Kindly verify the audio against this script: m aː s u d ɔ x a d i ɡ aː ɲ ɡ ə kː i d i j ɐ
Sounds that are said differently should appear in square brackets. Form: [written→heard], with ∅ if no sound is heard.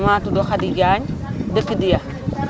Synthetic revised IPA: m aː [s→t] u d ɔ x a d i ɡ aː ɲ [ɡ→d] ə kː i d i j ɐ